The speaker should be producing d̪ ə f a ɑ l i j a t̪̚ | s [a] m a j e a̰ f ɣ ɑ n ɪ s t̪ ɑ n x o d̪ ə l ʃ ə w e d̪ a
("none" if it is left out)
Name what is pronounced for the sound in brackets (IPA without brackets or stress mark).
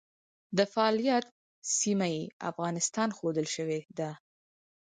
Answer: i